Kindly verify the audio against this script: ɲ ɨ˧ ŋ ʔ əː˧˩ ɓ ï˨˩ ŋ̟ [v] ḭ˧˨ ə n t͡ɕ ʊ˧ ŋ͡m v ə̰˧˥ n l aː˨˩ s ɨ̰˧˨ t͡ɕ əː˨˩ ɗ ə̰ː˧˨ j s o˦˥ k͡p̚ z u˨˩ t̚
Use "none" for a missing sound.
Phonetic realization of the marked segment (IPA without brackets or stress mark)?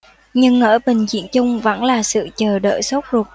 z